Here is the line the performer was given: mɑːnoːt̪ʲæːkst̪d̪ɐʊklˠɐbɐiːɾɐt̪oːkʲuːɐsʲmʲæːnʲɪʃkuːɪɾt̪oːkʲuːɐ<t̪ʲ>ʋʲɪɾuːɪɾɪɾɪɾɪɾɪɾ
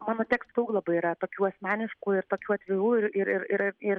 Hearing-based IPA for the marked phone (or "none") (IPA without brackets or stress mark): t̪ʲ